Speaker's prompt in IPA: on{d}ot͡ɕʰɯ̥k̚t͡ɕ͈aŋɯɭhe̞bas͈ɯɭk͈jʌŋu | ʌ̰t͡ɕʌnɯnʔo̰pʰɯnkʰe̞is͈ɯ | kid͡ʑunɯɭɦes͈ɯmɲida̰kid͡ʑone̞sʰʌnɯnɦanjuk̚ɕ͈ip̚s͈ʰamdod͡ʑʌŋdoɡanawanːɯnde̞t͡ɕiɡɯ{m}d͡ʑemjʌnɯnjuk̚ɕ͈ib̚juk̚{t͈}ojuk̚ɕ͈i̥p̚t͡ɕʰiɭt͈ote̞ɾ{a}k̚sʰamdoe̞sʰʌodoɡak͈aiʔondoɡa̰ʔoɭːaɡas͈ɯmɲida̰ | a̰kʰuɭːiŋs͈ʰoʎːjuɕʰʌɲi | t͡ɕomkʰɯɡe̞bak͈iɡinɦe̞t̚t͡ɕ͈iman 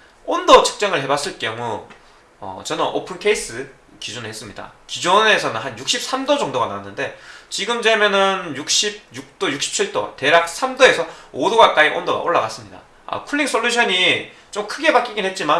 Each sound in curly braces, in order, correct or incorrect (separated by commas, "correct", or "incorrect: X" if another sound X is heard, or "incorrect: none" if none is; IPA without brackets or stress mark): correct, correct, correct, correct